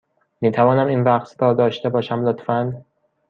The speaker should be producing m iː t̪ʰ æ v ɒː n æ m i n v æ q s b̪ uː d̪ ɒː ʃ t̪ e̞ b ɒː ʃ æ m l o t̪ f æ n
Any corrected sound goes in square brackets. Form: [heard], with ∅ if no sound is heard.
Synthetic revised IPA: m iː t̪ʰ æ v ɒː n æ m i n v æ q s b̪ [ɒː] d̪ ɒː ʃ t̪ e̞ b ɒː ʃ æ m l o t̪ f æ n